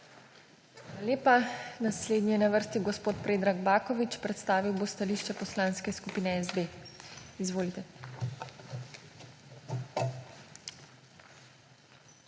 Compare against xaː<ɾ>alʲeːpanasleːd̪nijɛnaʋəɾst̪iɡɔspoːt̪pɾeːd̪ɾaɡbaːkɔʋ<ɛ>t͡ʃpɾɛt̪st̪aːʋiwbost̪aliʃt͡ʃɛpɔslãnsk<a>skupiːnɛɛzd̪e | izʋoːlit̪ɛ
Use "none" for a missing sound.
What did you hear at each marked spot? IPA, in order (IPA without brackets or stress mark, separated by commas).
l, i, ɛ